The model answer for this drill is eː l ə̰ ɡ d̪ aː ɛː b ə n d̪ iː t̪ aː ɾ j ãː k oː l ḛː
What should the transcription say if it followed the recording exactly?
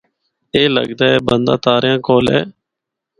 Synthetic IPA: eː l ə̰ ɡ d̪ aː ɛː b ə n d̪ aː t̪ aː ɾ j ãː k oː l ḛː